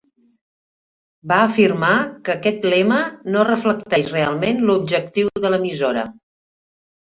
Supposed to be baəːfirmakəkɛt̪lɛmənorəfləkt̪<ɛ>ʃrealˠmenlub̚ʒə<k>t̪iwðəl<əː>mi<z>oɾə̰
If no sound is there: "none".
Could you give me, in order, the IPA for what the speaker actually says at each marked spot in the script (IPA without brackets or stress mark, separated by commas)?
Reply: ɛ, k, ə, z